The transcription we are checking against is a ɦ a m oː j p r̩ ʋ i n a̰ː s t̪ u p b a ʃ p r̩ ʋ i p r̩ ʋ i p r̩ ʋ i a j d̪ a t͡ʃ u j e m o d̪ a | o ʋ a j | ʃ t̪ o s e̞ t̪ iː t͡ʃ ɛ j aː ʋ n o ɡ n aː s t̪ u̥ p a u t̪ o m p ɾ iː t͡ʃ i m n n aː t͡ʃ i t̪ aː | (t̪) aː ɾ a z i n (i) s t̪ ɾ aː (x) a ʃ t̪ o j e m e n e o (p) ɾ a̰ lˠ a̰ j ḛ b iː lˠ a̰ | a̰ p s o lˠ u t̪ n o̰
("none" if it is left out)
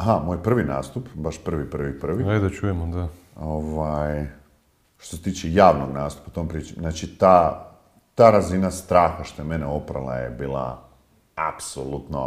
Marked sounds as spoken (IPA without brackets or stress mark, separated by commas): t̪, a, x, p